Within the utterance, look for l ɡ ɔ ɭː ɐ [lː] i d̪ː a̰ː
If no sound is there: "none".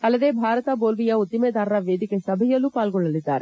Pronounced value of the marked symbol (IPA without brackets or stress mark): l